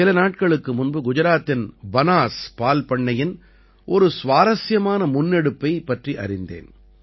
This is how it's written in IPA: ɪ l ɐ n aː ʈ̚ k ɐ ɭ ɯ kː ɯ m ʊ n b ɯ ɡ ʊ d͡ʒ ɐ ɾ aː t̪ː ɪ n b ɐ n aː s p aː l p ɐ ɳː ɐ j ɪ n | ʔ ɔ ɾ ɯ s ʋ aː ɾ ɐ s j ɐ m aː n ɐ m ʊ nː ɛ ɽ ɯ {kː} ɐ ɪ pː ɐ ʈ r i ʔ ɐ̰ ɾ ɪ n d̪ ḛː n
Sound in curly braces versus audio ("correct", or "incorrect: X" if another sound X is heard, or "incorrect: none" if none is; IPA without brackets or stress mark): incorrect: pː